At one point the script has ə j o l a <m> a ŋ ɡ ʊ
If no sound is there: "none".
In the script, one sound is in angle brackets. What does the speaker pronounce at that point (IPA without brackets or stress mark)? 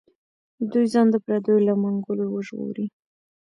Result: m